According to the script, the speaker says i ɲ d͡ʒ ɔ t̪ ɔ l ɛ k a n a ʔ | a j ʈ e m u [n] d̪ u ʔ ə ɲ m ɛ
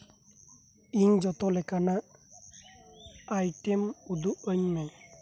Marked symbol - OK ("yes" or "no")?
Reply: no